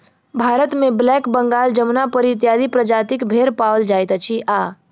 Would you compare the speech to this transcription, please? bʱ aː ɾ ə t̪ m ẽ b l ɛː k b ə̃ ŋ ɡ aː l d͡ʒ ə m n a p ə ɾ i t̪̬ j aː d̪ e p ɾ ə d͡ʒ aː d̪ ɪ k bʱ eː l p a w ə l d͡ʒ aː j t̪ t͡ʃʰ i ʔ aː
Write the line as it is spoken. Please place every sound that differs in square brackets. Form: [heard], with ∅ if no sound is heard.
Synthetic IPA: bʱ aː ɾ ə t̪ m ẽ b l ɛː k b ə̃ ŋ ɡ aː l d͡ʒ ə m n a p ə ɾ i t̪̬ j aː d̪ [i] p ɾ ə d͡ʒ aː [t̪] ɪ k bʱ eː [ɾ] p a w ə l d͡ʒ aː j t̪ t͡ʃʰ i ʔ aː